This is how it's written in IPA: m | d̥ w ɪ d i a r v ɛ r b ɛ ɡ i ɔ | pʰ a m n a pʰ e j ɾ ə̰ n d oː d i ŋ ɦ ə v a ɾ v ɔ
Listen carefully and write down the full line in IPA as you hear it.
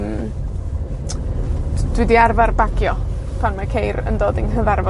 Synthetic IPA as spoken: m | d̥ w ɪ d i a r v a r b a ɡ j ɔ | pʰ a ŋ n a kʰ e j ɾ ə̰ n d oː d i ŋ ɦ ə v a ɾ v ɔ